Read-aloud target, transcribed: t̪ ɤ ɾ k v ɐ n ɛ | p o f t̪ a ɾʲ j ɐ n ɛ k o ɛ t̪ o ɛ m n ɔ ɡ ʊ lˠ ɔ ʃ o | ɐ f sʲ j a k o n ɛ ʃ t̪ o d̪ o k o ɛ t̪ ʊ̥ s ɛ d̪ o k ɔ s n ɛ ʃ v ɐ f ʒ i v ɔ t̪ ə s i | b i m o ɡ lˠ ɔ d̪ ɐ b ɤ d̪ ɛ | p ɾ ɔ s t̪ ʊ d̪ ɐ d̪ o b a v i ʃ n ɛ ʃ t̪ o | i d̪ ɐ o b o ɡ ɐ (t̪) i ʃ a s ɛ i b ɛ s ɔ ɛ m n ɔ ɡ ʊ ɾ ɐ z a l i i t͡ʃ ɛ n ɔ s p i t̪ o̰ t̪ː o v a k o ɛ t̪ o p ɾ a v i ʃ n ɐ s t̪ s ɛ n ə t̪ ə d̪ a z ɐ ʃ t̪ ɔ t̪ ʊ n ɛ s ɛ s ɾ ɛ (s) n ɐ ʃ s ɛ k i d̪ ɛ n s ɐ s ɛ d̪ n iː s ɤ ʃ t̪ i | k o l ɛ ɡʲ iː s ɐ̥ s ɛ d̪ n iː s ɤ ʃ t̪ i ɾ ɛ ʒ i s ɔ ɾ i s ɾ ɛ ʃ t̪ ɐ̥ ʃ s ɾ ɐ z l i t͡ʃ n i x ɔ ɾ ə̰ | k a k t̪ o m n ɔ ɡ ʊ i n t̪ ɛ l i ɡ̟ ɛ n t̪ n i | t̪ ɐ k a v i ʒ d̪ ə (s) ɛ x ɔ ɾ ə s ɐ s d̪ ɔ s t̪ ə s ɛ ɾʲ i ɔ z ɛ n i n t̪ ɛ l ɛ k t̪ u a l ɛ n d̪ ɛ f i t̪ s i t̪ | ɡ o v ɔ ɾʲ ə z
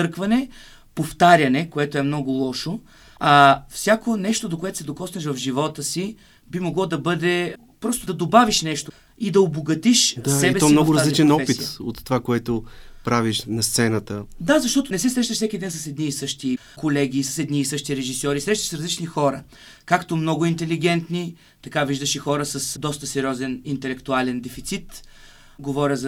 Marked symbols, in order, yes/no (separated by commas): yes, no, no